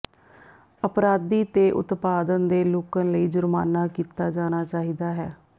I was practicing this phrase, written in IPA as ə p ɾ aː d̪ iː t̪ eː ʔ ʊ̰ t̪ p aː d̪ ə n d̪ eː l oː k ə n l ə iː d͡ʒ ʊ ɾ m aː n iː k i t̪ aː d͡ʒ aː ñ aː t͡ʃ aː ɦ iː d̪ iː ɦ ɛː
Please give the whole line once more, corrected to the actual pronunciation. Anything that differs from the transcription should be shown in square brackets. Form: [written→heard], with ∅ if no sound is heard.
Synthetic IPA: ə p ɾ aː d̪ iː t̪ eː ʔ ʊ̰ t̪ p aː d̪ ə n d̪ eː l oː k ə n l ə iː d͡ʒ ʊ ɾ m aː n [iː→aː] k [i→iː] t̪ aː d͡ʒ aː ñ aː t͡ʃ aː ɦ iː d̪ [iː→aː] ɦ ɛː